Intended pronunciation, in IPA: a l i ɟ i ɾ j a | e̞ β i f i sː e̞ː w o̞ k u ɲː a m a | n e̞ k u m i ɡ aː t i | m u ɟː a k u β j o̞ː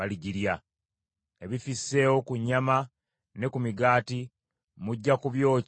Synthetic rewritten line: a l i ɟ i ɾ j a | e̞ β i f i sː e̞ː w o̞ k u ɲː a m a | n e̞ k u m i ɡ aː t i | m u ɟː a k u β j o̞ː